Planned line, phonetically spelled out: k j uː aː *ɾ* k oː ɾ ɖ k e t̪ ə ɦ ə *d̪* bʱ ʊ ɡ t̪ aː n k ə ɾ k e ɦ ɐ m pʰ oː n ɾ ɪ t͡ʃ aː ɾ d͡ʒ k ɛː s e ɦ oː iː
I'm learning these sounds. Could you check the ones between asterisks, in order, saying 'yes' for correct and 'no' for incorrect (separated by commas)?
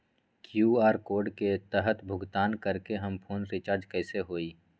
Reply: yes, no